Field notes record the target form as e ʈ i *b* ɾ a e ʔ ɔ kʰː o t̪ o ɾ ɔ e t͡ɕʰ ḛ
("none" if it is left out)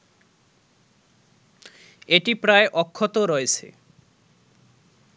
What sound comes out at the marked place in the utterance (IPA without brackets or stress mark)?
p